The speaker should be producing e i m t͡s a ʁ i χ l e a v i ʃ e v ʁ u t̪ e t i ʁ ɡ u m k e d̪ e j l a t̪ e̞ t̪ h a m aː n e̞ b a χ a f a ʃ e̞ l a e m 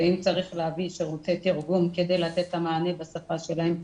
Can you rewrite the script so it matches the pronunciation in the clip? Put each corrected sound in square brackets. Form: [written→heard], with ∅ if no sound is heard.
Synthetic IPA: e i m t͡s a ʁ i χ l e a v i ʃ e [v→∅] ʁ u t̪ e t i ʁ ɡ u m k e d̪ e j l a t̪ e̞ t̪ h a m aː n e̞ b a [χ→s] a f a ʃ e̞ l a e m